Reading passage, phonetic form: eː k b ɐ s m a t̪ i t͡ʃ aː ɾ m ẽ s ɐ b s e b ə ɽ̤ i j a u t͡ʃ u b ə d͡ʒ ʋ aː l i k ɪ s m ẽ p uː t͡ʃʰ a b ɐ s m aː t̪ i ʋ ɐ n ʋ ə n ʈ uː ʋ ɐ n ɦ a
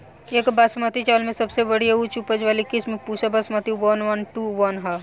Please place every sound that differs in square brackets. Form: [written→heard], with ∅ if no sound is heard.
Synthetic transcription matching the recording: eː k b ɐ s m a t̪ i t͡ʃ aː [ɾ→l] m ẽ s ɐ b s e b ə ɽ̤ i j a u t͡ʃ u [b→p] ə d͡ʒ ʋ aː l i k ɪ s m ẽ p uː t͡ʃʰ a b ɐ s m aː t̪ i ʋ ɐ n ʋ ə n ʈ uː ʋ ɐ n ɦ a